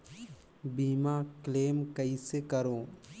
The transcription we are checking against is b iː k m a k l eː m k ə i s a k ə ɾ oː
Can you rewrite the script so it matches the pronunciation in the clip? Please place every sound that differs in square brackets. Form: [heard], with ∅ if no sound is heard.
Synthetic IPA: b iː [∅] m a k l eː m k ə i s [e] k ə ɾ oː

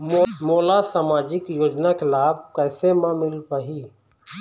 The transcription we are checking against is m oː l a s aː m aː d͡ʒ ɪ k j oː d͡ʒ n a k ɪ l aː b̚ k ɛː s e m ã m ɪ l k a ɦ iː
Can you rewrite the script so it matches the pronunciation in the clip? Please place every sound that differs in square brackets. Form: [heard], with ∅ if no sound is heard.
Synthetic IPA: m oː l a s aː m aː d͡ʒ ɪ k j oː d͡ʒ n a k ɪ l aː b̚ k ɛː s e m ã m ɪ l [p] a ɦ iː

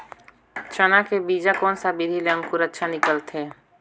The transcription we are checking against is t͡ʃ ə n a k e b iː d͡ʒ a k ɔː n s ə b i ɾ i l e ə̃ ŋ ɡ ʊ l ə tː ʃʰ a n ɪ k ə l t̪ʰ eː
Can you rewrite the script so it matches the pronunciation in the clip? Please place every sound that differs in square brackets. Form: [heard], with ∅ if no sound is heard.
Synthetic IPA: t͡ʃ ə n a k e b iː d͡ʒ a k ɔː n s [a] b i ɾ i l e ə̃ ŋ [k] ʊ [ɾ] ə tː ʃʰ a n ɪ k ə l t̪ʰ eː

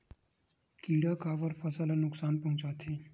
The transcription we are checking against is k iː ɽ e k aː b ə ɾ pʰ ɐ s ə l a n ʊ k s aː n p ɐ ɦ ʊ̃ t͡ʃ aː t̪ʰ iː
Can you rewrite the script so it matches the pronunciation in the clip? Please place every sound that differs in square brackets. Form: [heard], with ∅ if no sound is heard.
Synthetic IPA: k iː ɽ [a] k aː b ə ɾ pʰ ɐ s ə l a n ʊ k s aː n p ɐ ɦ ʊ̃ t͡ʃ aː t̪ʰ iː

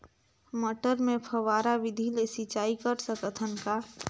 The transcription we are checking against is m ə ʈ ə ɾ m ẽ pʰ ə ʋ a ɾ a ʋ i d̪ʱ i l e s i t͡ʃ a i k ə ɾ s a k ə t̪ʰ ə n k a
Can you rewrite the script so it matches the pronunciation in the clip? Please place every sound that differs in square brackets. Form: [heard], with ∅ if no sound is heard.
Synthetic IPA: m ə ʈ ə ɾ m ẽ pʰ ə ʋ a ɾ a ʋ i d̪ʱ i l e s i t͡ʃ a i k ə ɾ s [ə] k ə t̪ʰ ə n k a

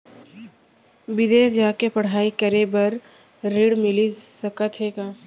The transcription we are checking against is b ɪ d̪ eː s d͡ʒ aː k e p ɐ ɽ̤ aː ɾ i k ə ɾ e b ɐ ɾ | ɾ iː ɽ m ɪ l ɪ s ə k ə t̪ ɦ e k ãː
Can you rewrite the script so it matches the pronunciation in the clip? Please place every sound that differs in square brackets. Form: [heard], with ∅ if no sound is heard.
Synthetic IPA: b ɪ d̪ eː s d͡ʒ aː k e p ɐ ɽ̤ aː [∅] i k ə ɾ e b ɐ ɾ | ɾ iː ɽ m ɪ l [i] s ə k ə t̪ ɦ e k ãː

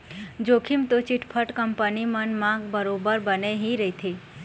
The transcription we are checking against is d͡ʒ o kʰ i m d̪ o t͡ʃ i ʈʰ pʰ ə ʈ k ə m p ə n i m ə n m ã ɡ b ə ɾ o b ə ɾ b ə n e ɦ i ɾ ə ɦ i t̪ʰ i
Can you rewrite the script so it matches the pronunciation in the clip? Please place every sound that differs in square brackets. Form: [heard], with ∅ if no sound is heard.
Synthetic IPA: d͡ʒ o kʰ i m [t̪] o t͡ʃ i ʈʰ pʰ ə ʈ k ə m p ə n i m ə n m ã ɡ b ə ɾ o b ə ɾ b ə n e ɦ i ɾ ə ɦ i t̪ʰ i

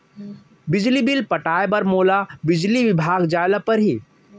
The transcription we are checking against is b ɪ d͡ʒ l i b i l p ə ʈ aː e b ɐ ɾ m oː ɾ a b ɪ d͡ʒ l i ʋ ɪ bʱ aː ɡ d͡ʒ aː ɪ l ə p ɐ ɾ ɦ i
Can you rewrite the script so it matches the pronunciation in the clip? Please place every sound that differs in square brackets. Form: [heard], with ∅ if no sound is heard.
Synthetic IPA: b ɪ d͡ʒ l i b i l p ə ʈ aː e b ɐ ɾ m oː [l] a b ɪ d͡ʒ l i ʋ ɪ bʱ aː ɡ d͡ʒ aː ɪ l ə p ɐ ɾ ɦ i

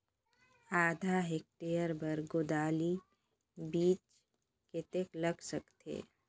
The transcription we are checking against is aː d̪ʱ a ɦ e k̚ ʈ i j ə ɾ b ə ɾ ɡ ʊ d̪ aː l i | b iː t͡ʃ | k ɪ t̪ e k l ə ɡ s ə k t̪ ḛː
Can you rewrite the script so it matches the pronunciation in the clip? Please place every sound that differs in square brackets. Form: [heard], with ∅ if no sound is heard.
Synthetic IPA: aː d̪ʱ a ɦ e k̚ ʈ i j ə ɾ b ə ɾ ɡ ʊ d̪ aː l i | b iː t͡ʃ | k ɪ t̪ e k l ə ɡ s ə k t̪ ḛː

